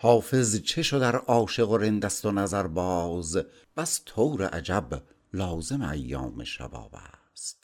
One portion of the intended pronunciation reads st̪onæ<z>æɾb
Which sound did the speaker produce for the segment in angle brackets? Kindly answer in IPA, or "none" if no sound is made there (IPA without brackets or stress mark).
z